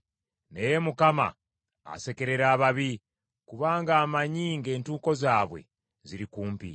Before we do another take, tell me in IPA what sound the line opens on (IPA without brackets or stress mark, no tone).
n